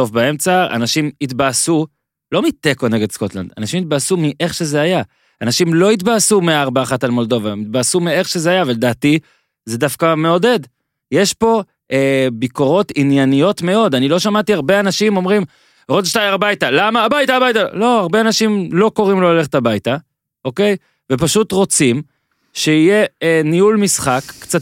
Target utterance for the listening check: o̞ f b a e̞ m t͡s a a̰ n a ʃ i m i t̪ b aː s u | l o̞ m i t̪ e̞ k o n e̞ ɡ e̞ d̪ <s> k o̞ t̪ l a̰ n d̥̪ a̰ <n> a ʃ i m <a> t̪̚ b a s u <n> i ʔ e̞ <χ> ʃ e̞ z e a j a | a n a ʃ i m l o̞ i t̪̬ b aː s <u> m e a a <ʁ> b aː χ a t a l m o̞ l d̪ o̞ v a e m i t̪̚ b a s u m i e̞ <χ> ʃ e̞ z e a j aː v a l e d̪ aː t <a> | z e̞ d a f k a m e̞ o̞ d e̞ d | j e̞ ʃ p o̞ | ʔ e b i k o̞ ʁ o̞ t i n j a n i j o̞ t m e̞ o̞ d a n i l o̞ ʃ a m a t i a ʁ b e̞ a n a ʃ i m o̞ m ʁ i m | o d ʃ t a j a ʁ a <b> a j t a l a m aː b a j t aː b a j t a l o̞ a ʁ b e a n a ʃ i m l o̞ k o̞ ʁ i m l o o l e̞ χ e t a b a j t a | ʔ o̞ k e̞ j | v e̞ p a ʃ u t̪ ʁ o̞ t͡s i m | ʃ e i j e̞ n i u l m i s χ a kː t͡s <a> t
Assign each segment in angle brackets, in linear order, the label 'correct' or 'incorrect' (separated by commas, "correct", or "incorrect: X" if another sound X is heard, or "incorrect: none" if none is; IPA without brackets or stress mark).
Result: correct, correct, incorrect: i, incorrect: m, correct, correct, correct, correct, incorrect: i, correct, correct